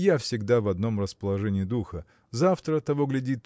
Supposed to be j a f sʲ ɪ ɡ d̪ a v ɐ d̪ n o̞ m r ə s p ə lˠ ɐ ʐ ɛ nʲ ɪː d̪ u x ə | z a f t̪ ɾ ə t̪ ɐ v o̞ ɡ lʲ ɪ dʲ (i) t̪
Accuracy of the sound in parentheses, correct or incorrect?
correct